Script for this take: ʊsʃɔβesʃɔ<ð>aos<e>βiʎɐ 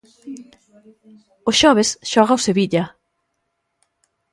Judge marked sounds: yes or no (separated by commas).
no, yes